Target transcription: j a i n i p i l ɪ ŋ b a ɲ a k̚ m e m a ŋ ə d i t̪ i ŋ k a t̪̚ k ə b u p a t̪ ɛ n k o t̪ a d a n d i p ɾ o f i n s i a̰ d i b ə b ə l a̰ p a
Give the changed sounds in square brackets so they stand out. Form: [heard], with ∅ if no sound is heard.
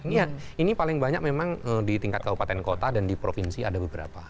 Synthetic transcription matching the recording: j a i n i p [a] l ɪ ŋ b a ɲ a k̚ m e m a ŋ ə d i t̪ i ŋ k a t̪̚ k [a] b u p a t̪ ɛ n k o t̪ a d a n d i p ɾ o f i n s i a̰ d [a] b ə b ə [ɾ] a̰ p a